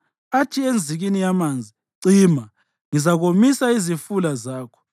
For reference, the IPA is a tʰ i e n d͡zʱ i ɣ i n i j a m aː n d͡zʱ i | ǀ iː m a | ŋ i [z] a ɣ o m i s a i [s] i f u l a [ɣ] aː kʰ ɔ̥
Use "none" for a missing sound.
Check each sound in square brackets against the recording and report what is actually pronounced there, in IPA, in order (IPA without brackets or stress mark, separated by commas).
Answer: z, z, z